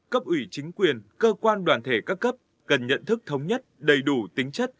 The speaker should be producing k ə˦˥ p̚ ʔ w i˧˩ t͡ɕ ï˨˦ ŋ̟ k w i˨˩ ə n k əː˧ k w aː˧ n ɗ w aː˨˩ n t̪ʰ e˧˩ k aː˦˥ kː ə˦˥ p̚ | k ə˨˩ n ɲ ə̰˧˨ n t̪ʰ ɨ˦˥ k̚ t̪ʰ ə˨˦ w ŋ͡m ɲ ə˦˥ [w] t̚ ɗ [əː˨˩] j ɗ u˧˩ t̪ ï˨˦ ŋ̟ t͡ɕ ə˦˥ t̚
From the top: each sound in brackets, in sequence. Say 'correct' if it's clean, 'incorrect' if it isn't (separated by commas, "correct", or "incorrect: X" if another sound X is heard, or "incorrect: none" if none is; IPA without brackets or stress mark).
incorrect: none, incorrect: ə˨˩